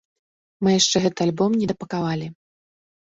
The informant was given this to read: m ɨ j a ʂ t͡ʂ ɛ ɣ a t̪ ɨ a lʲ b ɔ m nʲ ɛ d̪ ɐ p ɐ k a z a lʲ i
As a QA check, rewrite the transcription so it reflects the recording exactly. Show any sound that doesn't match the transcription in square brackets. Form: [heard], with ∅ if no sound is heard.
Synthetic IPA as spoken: m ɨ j a ʂ t͡ʂ ɛ ɣ [ɛ] t̪ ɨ a lʲ b ɔ m nʲ ɛ d̪ ɐ p ɐ k a [v] a lʲ i

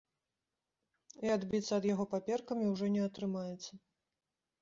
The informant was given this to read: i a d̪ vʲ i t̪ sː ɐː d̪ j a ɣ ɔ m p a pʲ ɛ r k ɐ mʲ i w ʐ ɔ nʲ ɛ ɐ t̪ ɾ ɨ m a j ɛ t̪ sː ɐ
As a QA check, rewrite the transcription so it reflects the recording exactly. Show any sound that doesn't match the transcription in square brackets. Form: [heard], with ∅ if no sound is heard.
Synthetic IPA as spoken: i a d̪ [bʲ] i t̪ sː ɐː d̪ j a ɣ ɔ [∅] p a pʲ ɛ r k ɐ mʲ i w ʐ ɔ nʲ ɛ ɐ t̪ ɾ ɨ m a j ɛ t̪ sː ɐ

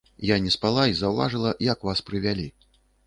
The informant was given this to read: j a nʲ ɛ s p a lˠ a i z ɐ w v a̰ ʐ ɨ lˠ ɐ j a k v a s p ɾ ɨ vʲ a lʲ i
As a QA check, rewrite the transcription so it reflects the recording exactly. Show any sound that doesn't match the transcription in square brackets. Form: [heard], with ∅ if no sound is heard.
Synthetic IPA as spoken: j a nʲ ɛ s p a lˠ a i z ɐ w v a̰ ʐ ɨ lˠ ɐ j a k v a s p ɾ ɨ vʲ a lʲ i

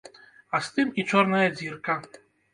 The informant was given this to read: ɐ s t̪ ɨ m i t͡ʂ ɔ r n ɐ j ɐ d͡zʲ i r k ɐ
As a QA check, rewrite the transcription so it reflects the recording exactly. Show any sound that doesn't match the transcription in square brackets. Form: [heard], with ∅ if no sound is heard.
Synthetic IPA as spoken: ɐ s t̪ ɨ m i t͡ʂ ɔ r n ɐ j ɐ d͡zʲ i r k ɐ

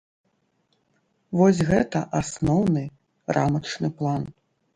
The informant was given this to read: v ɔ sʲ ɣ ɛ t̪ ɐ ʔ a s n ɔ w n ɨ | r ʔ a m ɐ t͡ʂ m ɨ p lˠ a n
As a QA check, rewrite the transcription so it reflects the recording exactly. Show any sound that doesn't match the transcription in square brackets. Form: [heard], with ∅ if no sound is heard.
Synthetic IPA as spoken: v ɔ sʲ ɣ ɛ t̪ ɐ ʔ a s n ɔ w n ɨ | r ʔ a m ɐ t͡ʂ [n] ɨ p lˠ a n

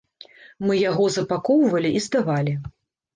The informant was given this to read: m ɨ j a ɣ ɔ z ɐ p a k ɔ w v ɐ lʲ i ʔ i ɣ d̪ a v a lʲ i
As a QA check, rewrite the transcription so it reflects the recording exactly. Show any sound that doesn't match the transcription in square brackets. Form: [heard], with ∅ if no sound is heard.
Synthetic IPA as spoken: m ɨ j a ɣ ɔ z ɐ p a k ɔ w v ɐ lʲ i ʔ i [z] d̪ a v a lʲ i

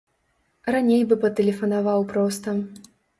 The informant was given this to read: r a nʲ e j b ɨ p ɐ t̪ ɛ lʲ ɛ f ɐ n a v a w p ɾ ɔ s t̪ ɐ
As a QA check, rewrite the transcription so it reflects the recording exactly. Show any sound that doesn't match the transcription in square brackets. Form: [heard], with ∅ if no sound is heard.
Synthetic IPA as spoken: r a nʲ e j b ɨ p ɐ t̪ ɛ lʲ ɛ f ɐ n a v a w p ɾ ɔ s t̪ ɐ

